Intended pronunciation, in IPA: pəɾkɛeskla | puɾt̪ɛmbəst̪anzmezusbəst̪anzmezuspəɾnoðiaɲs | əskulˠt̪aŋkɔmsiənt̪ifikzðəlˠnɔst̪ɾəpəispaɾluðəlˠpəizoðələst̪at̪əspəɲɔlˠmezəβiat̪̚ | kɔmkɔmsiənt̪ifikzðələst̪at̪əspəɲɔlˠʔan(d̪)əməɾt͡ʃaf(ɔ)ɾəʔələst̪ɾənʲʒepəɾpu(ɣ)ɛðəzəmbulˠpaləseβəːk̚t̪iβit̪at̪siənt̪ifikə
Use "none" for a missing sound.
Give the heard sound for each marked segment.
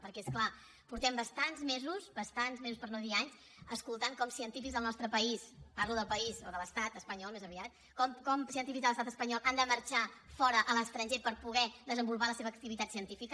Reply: d̪, ɔ, ɣ

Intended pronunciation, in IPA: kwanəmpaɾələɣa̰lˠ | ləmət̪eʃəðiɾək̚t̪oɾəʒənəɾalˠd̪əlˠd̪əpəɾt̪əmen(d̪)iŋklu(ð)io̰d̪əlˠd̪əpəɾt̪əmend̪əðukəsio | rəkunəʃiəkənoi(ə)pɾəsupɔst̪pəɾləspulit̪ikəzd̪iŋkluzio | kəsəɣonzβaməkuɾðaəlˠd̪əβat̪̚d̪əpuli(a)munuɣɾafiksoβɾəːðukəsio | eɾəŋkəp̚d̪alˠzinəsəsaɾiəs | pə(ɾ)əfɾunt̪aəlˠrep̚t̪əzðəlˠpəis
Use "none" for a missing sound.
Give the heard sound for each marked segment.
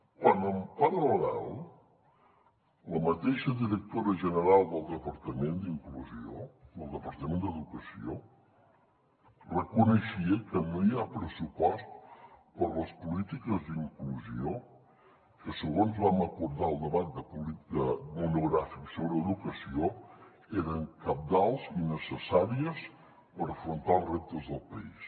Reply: d̪, z, a, ə, ɾ

